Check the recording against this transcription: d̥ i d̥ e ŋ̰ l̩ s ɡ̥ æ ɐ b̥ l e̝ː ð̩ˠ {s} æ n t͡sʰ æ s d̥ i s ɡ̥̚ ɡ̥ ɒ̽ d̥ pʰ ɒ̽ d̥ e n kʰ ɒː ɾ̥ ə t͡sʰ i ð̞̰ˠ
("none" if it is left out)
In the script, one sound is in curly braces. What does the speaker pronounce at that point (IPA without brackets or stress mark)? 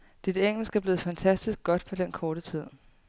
f